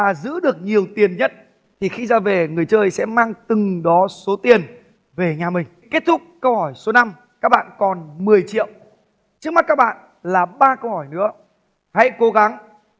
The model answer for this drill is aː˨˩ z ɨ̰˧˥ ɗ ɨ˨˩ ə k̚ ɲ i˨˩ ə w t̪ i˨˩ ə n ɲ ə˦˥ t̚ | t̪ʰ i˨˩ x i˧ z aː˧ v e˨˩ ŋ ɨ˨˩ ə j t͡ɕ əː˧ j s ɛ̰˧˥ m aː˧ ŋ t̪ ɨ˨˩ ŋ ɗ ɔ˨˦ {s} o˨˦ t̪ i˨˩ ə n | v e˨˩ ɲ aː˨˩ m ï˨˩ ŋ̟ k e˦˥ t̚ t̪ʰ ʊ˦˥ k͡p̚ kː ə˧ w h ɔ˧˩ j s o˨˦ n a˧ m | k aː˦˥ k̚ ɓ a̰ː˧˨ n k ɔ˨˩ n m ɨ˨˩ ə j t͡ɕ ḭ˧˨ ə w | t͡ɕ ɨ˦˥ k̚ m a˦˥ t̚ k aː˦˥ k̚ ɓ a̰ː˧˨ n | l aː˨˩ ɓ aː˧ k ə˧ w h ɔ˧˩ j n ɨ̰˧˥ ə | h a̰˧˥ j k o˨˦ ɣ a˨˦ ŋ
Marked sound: correct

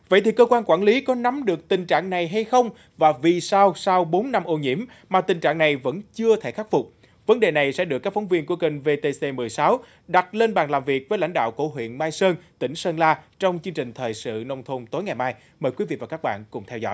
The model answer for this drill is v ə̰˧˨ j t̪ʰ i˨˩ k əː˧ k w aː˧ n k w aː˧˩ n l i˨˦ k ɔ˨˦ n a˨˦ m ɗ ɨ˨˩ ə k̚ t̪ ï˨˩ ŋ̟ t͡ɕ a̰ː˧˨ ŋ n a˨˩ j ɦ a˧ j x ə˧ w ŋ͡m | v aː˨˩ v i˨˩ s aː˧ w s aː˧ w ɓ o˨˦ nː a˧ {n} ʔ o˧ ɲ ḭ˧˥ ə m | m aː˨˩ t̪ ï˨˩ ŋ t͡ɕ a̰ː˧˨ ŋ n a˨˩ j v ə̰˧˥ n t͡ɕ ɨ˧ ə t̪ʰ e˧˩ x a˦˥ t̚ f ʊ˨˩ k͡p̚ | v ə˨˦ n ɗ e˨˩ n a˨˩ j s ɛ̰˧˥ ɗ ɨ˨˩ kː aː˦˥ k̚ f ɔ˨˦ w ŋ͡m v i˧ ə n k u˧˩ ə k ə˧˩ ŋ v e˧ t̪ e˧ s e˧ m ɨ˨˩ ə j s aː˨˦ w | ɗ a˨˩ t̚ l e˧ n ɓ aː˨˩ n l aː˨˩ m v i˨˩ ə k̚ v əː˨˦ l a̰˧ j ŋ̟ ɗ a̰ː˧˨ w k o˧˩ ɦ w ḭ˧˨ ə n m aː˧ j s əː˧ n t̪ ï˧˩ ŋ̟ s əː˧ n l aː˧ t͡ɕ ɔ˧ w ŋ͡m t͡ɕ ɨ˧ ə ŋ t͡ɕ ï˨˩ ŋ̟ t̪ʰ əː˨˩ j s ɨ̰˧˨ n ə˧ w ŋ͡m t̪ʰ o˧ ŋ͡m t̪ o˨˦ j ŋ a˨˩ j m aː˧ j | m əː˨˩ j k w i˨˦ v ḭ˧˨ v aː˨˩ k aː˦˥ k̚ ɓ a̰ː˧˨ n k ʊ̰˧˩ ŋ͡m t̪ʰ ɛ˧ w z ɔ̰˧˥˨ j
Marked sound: incorrect: m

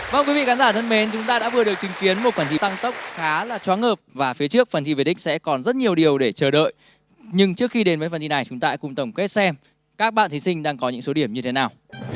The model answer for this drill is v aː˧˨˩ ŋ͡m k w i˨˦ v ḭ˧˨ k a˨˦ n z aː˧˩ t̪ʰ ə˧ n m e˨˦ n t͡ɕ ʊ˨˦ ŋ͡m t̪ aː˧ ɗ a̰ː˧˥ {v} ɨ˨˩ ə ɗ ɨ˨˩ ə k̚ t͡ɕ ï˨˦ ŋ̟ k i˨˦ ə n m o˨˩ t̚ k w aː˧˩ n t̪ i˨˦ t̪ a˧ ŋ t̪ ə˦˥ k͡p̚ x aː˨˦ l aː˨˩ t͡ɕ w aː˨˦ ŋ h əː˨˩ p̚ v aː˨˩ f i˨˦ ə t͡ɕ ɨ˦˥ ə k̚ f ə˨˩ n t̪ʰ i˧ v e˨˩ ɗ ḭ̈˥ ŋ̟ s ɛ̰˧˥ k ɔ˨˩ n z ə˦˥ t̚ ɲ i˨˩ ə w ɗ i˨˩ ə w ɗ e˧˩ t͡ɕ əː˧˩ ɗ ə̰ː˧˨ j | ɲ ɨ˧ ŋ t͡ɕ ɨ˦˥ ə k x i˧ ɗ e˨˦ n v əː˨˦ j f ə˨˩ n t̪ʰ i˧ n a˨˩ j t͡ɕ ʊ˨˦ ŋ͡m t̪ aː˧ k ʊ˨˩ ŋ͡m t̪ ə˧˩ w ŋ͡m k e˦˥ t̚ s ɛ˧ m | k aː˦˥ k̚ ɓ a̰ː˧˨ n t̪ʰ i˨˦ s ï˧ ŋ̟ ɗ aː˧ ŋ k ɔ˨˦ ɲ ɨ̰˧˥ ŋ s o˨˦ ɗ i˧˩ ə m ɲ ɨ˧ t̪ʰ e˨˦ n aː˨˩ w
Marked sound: correct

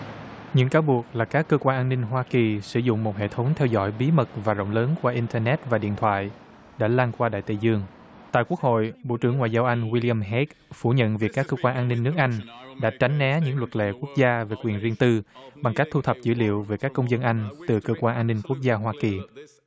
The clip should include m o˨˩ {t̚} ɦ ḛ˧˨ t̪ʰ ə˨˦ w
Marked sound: correct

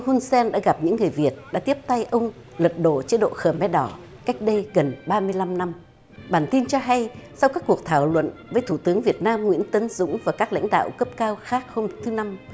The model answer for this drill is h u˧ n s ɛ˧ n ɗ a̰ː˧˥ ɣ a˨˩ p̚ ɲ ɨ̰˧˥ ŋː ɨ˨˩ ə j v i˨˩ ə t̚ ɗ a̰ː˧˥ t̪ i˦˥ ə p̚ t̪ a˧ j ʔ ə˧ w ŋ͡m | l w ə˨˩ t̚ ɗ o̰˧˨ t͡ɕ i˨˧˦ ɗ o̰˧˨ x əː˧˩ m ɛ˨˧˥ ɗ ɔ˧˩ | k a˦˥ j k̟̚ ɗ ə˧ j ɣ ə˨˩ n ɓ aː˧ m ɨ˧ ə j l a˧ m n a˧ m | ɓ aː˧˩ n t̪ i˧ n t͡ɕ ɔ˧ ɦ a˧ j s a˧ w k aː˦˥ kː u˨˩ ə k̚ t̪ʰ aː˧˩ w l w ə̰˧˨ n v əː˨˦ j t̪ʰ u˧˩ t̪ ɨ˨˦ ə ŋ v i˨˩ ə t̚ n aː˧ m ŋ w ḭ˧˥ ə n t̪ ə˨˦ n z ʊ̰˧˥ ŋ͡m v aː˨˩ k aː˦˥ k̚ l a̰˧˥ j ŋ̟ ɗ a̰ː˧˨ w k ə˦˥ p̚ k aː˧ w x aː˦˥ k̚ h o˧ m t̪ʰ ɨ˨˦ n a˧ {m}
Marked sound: correct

